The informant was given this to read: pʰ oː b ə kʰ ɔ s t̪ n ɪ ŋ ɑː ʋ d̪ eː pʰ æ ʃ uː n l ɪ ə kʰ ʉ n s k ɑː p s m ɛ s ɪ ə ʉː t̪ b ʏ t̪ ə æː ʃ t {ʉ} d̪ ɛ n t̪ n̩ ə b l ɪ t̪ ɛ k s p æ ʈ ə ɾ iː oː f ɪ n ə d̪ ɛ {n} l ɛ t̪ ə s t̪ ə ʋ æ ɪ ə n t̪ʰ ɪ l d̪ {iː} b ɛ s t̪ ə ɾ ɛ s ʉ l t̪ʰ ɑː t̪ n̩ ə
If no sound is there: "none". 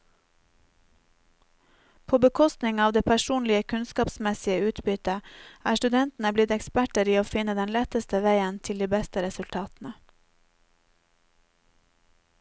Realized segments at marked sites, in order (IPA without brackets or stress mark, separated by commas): ʉ, n, iː